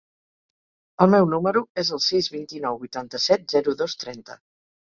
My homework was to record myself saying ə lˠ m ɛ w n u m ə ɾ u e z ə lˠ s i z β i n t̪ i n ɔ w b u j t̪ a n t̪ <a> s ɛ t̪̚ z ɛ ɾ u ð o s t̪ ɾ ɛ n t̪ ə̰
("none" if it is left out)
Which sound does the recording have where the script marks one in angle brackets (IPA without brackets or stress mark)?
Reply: ə